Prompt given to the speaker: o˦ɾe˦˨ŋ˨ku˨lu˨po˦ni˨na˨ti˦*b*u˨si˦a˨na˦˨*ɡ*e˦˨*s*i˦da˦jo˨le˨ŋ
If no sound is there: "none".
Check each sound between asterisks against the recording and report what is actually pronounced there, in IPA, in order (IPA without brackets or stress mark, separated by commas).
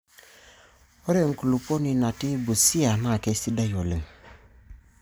b, k, s